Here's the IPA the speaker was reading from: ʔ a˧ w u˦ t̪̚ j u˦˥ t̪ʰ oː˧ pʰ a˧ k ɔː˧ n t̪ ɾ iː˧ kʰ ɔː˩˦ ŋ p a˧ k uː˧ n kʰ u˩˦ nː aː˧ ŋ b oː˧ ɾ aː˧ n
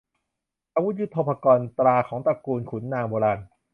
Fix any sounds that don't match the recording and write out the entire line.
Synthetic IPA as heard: ʔ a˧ w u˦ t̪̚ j u˦˥ t̪ʰ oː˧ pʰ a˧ k ɔː˧ n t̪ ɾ aː˧ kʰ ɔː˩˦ ŋ p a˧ k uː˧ n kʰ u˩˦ nː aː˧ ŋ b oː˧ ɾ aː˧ n